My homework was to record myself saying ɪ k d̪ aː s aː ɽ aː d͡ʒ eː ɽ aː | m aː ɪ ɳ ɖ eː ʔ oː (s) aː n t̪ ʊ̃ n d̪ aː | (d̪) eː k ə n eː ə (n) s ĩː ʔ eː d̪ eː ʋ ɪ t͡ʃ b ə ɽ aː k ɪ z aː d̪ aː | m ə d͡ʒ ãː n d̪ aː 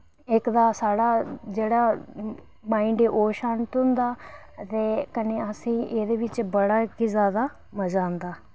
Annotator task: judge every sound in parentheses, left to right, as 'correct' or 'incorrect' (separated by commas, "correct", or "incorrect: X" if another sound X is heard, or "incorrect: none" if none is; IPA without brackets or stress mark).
incorrect: ʃ, incorrect: t̪, incorrect: none